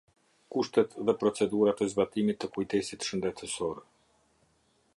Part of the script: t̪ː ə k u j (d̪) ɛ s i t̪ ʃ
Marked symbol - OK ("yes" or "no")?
no